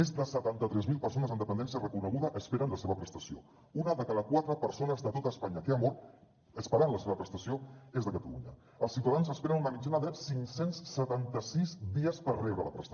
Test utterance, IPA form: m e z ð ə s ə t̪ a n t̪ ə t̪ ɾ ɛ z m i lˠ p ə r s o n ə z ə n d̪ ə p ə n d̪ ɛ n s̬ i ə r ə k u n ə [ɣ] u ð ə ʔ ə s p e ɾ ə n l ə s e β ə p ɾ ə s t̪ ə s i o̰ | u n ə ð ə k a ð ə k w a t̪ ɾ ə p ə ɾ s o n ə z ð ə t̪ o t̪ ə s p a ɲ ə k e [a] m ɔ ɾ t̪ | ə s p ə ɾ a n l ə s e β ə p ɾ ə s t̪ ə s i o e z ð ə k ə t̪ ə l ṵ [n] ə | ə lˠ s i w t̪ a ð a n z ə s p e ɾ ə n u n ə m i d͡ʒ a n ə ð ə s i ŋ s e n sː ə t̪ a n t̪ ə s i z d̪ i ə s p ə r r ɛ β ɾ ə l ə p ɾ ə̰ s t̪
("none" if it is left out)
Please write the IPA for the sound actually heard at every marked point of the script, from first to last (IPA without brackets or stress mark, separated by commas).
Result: ɣ, a, ɲ